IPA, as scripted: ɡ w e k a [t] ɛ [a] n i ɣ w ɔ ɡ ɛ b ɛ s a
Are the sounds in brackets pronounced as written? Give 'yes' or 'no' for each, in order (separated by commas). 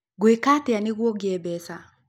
yes, yes